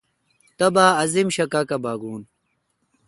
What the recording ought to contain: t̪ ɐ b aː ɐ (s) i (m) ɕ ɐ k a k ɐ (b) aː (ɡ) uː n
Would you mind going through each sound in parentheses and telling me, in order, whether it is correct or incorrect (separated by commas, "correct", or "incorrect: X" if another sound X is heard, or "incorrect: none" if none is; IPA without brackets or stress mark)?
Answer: incorrect: z, correct, correct, correct